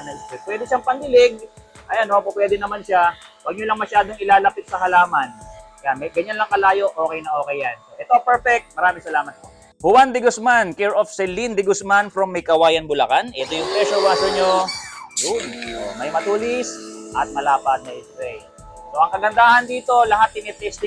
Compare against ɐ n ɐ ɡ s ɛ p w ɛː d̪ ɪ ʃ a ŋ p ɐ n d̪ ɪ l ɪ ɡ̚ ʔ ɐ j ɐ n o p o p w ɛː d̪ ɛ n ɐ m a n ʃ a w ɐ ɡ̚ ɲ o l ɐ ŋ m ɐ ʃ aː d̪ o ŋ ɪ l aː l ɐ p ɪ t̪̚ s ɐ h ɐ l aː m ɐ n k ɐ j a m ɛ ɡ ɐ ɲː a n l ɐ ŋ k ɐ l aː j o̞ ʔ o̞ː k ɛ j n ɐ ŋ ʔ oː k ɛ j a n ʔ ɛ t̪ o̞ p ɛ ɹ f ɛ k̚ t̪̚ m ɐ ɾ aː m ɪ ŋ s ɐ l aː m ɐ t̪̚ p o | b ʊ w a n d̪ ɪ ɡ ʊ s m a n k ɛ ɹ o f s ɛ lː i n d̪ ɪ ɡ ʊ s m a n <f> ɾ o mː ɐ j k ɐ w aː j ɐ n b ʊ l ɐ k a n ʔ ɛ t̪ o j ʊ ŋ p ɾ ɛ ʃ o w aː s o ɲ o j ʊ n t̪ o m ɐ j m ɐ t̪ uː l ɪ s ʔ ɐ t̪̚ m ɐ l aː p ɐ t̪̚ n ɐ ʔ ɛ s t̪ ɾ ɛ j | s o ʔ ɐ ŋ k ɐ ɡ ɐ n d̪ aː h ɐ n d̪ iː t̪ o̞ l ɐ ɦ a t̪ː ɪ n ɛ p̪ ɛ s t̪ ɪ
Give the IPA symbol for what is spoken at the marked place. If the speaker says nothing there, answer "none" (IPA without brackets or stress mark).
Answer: f